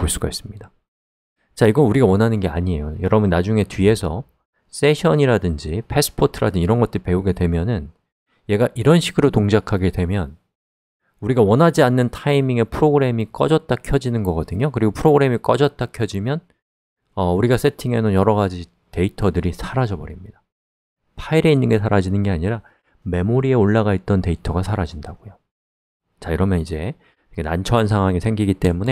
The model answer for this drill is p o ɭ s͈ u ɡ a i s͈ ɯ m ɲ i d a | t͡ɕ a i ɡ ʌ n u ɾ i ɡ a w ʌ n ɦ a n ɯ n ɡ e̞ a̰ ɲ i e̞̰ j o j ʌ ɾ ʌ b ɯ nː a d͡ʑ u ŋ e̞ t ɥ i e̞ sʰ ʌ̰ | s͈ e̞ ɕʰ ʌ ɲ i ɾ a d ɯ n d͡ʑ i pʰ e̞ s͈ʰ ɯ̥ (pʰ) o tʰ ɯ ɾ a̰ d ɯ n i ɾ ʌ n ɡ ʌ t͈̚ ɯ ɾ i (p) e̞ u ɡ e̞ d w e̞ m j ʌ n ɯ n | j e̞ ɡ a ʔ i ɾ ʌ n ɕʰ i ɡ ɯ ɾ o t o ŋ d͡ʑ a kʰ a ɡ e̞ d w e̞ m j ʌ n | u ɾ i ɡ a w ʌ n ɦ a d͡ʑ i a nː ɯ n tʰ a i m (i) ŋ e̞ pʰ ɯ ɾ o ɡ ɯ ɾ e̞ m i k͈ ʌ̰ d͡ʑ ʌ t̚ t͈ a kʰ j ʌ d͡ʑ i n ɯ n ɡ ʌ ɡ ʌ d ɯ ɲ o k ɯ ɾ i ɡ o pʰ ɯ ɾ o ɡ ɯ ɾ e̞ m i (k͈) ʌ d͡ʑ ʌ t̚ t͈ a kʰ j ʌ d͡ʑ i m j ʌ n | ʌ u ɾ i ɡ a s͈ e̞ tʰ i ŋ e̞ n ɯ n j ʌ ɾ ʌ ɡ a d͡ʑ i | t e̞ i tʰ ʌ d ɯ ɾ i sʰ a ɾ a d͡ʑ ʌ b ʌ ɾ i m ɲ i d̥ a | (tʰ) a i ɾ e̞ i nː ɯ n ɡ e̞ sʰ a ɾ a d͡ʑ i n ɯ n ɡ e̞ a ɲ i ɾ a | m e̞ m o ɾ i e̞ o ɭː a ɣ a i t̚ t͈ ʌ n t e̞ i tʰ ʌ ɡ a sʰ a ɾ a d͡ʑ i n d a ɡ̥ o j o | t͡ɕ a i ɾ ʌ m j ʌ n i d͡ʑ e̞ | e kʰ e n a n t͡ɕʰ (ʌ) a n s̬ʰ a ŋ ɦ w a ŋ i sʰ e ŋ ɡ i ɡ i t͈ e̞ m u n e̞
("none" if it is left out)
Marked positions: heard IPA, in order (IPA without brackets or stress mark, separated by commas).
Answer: pʰ, p, i, k͈, pʰ, ʌ